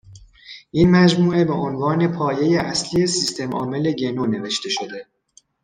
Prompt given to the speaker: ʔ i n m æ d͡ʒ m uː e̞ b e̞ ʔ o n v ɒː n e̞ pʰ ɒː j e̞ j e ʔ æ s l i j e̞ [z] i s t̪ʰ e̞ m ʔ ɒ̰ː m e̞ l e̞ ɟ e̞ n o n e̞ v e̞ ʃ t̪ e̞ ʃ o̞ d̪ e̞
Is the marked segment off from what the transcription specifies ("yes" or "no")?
yes